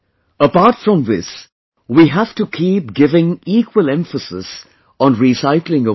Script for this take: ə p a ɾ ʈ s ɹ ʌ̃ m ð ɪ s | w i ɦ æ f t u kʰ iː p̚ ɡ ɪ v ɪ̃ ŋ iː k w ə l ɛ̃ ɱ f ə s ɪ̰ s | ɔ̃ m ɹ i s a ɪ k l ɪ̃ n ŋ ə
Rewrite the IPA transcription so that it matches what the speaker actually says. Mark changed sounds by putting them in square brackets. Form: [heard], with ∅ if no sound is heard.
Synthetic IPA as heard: ə p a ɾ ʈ [f] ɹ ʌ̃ m ð ɪ s | w i ɦ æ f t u kʰ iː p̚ ɡ ɪ v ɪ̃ ŋ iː k w ə l ɛ̃ ɱ f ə s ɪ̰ s | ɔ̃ [n] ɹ i s a ɪ k l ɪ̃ [∅] ŋ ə